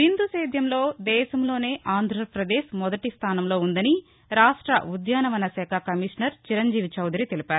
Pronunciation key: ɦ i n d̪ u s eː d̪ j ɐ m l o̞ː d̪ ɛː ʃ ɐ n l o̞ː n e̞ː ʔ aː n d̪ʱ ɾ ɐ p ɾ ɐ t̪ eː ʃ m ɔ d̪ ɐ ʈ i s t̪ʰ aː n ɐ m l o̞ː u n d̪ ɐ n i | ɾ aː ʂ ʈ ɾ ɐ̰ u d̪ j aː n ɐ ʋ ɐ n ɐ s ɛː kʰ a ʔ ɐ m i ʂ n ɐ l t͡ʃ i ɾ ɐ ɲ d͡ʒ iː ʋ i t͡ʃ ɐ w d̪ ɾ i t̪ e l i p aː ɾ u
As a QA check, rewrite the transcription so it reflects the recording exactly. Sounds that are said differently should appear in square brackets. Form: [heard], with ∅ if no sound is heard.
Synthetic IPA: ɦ i n d̪ u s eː d̪ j ɐ m l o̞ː d̪ ɛː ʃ ɐ [m] l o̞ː n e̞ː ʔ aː n d̪ʱ ɾ ɐ p ɾ ɐ [d̪] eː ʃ m ɔ d̪ ɐ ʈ i s t̪ʰ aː n ɐ m l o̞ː u n d̪ ɐ n i | ɾ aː ʂ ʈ ɾ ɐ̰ u d̪ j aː n ɐ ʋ ɐ n ɐ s ɛː kʰ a [k] ɐ m i ʂ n ɐ [ɾ] t͡ʃ i ɾ ɐ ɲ d͡ʒ iː ʋ i t͡ʃ ɐ w d̪ ɾ i t̪ e l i p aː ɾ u